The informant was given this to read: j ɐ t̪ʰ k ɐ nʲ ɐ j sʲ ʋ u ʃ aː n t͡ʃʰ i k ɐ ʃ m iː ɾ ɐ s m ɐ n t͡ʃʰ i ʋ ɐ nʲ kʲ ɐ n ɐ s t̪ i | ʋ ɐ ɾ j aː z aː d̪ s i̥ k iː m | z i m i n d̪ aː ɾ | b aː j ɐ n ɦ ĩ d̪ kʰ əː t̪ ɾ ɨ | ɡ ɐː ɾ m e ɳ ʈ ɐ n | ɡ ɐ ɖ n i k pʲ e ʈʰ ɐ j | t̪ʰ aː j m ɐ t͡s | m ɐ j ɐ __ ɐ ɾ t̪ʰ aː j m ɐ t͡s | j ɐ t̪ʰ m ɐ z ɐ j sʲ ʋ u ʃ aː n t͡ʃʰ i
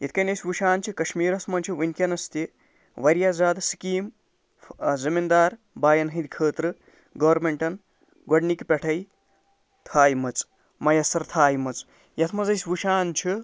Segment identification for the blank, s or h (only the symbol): s